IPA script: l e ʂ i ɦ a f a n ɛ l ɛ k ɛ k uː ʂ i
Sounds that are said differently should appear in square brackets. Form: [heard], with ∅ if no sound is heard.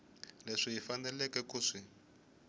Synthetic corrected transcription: l e ʂ i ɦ [i] f a n ɛ l ɛ k ɛ k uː ʂ i